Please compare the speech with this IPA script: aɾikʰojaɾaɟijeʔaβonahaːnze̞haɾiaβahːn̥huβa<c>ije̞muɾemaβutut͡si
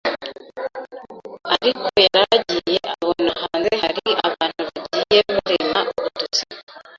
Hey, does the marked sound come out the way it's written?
no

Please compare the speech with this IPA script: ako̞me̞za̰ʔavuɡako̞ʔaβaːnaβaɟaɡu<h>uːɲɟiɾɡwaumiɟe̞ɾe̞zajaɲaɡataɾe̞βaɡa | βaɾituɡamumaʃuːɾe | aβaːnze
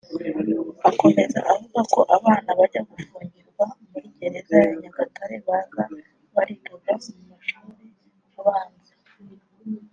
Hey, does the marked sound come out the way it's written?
no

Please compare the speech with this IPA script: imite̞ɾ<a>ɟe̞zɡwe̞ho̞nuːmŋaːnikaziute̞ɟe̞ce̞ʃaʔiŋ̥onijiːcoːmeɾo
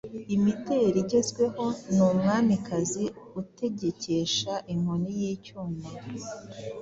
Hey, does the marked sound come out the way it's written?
no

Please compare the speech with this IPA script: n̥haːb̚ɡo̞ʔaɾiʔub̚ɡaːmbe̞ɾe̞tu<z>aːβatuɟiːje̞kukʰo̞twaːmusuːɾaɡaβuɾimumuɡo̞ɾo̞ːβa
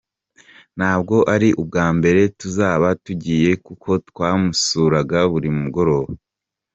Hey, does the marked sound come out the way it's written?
yes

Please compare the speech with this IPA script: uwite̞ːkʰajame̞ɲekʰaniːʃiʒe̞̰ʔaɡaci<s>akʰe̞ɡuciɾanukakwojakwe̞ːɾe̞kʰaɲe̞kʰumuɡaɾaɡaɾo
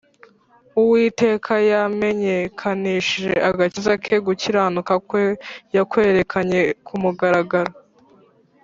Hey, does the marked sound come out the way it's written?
no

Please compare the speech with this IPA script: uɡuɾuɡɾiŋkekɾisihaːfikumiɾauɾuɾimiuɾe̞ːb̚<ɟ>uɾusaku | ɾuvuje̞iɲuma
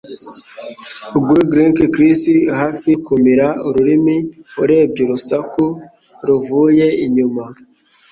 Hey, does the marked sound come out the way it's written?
yes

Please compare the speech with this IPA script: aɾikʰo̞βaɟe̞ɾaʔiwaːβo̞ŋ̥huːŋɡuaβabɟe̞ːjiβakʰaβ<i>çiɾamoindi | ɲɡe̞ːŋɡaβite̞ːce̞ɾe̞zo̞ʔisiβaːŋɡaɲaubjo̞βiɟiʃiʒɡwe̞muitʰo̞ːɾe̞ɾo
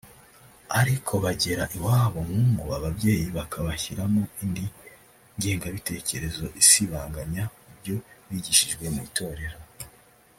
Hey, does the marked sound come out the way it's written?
no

